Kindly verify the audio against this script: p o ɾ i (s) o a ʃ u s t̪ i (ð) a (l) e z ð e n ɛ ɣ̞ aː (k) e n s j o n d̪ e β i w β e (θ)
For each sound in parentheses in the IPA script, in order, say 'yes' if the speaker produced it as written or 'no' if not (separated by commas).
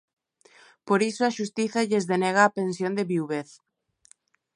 yes, no, no, no, yes